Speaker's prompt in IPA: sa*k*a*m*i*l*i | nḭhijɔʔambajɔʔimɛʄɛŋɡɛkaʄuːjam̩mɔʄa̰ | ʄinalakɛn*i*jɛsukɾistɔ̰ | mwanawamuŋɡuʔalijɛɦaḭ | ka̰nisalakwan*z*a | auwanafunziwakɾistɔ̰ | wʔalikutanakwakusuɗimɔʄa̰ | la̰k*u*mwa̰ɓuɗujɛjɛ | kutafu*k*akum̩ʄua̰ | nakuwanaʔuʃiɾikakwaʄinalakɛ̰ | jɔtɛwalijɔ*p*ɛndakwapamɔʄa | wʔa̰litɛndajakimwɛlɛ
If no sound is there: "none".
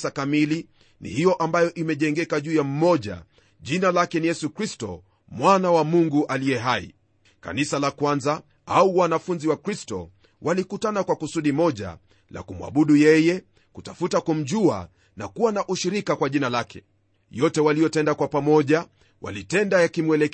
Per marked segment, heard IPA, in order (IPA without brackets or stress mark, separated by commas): k, m, l, i, z, u, t, t